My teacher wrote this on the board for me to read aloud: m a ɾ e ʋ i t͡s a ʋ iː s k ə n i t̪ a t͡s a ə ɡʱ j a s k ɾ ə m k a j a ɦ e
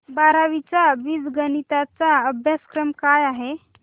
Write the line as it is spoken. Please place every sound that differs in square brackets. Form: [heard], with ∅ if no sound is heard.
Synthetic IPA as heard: [b] a ɾ [a] ʋ i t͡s a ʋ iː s [ɡ] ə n i t̪ a t͡s a ə [bʱ] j a s k ɾ ə m k a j a ɦ e